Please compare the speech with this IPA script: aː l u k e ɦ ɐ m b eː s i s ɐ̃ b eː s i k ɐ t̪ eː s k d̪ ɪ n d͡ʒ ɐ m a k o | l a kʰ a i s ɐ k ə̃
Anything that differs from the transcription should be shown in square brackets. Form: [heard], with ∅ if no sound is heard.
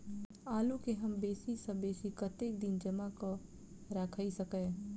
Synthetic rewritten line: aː l u k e ɦ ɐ m b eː s i s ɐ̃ b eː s i k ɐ t̪ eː [∅] k d̪ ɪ n d͡ʒ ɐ m a k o | [ɾ] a kʰ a i s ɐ k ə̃

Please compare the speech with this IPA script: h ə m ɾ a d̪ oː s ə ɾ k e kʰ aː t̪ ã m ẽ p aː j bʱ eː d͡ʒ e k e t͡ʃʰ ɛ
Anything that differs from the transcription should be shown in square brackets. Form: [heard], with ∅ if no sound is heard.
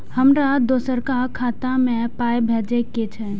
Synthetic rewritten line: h ə m ɾ a d̪ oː s ə ɾ k [a] kʰ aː t̪ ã m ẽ p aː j bʱ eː d͡ʒ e k e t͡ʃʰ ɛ

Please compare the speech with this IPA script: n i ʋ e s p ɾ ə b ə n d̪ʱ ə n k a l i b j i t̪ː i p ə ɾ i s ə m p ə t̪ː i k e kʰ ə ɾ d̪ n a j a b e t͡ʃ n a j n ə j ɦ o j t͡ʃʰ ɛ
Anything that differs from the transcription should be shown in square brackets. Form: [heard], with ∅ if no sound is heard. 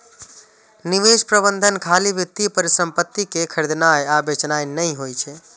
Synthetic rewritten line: n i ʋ e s p ɾ ə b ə n d̪ʱ ə n [kʰ] a l i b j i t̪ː i p ə ɾ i s ə m p ə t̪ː i k e kʰ ə ɾ d̪ n a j a b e t͡ʃ n a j n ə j ɦ o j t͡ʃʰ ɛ

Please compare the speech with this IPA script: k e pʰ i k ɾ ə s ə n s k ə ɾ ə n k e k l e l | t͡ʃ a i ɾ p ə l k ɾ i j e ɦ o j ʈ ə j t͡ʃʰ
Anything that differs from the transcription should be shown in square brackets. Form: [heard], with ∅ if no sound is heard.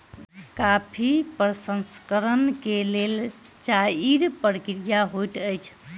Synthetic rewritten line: k [a] pʰ i [p] ɾ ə s ə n s k ə ɾ ə n k e [∅] l e l | t͡ʃ a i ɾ p ə [ɾ] k ɾ i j [a] ɦ o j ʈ ə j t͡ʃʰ

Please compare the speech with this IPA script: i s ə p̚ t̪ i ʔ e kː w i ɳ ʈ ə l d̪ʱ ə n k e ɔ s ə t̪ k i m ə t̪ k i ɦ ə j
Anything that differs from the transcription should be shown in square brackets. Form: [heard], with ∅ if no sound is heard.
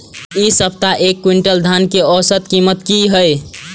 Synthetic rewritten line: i s ə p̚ t̪ [a] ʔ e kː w i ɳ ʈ ə l d̪ʱ [a] n k e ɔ s ə t̪ k i m ə t̪ k i ɦ ə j

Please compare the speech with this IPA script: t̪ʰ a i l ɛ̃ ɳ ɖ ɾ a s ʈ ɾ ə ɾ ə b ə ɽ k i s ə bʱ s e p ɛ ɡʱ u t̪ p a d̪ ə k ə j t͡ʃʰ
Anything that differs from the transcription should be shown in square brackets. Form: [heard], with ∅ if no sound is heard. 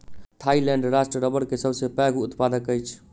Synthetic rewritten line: t̪ʰ a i l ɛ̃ ɳ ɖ ɾ a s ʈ ɾ ə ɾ ə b ə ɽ k [e] s ə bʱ s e p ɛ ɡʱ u t̪ p a d̪ ə k ə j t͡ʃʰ

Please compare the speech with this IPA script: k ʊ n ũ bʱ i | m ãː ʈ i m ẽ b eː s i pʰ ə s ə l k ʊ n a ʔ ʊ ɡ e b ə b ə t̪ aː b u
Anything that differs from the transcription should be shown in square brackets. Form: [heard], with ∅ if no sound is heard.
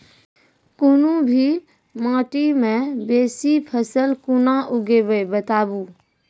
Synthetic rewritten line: k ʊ n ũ bʱ i | m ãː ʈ i m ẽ b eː s i pʰ ə s ə l k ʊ n a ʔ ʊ ɡ e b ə b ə t̪ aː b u

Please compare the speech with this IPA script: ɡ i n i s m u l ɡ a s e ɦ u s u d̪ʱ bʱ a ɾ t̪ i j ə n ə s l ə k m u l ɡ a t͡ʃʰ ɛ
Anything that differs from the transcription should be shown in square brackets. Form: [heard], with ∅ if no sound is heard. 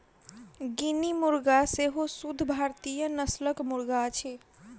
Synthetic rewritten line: ɡ i n i [∅] m u [ɾ] ɡ a s e ɦ [o] s u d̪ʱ bʱ a ɾ t̪ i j ə n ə s l ə k m u [ɾ] ɡ a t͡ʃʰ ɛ

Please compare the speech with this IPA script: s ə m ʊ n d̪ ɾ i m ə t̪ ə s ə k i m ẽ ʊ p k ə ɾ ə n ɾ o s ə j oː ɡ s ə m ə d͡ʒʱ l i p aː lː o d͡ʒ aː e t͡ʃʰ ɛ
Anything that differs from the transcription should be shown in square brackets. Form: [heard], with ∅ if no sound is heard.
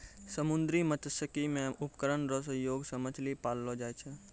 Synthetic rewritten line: s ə m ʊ n d̪ ɾ i m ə t̪ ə s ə k i m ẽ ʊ p k ə ɾ ə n ɾ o s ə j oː ɡ s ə m ə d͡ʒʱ l i p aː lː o d͡ʒ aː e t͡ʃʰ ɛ

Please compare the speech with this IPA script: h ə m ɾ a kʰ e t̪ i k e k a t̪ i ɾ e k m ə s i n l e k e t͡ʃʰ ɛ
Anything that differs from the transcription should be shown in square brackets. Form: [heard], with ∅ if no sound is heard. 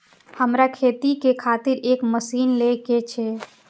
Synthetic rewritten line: h ə m ɾ a kʰ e t̪ i k e [kʰ] a t̪ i ɾ e k m ə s i n l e k e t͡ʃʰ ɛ

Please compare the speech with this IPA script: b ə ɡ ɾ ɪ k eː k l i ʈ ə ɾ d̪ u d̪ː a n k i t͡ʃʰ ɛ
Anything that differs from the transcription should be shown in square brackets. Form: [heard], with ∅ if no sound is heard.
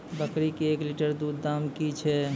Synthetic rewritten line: b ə [k] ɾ [i] k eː k l i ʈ ə ɾ d̪ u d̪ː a [m] k i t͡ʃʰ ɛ

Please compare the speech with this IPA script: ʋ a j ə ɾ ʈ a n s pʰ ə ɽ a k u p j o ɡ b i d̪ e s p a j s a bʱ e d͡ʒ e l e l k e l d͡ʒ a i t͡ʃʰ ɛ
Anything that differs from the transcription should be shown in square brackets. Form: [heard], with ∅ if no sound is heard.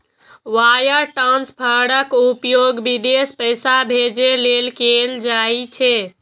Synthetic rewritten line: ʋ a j ə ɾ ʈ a n s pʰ ə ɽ [ə] k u p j o ɡ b i d̪ e s p [ə] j s a bʱ e d͡ʒ e l e l k e l d͡ʒ a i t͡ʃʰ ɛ

